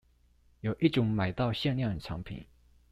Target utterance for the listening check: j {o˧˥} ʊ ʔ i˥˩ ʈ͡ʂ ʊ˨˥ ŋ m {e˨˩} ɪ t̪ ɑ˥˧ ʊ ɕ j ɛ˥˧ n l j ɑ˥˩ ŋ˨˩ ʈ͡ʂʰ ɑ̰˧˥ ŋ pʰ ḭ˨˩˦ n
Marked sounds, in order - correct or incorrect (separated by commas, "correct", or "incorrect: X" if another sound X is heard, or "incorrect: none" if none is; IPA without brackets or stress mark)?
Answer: incorrect: o˨˩, incorrect: a˨˩